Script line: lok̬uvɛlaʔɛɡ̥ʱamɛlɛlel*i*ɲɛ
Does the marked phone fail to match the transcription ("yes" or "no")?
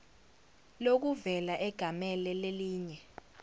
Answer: yes